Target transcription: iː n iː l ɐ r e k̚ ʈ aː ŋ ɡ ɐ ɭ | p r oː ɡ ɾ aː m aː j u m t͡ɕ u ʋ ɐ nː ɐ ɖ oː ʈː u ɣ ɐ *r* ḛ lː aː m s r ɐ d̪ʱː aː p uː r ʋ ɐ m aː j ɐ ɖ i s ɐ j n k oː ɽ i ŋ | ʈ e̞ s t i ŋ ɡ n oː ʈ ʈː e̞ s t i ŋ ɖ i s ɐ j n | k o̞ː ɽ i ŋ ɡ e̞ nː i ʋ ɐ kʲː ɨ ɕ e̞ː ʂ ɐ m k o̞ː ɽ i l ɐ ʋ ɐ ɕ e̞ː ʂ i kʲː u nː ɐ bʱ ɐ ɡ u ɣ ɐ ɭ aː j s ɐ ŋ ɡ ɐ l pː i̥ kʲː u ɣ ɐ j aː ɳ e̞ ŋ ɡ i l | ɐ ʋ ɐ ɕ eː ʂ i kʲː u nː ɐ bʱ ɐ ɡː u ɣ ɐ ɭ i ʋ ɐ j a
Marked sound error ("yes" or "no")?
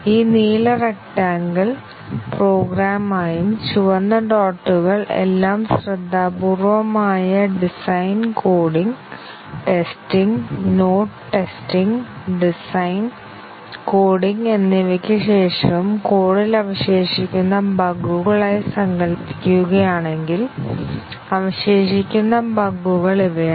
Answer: yes